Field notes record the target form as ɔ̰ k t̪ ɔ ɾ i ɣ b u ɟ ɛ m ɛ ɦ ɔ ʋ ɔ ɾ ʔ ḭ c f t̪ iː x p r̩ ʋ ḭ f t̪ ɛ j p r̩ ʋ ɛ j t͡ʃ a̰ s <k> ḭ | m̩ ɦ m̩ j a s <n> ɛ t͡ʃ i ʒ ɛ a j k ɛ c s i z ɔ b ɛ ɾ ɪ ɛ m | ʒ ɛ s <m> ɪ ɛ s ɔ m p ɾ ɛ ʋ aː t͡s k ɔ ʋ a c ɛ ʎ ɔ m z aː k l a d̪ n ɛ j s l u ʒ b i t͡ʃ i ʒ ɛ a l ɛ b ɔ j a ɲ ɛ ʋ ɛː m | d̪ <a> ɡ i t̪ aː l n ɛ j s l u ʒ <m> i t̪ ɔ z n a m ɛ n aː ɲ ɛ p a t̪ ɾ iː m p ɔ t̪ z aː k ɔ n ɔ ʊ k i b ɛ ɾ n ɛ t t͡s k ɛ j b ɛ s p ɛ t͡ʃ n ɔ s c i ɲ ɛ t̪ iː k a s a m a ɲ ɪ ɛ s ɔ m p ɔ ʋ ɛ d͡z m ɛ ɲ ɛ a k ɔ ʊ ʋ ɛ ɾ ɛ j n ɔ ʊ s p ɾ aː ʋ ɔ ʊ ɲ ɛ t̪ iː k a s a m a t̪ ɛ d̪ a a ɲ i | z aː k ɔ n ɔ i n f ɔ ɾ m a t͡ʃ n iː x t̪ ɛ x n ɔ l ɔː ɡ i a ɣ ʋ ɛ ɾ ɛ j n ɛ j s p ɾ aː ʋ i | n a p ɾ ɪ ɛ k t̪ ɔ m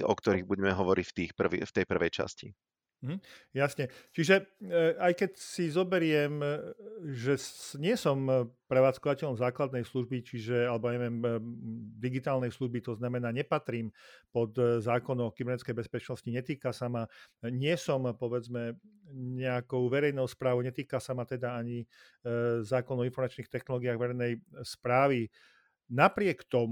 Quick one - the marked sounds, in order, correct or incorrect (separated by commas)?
incorrect, incorrect, incorrect, incorrect, incorrect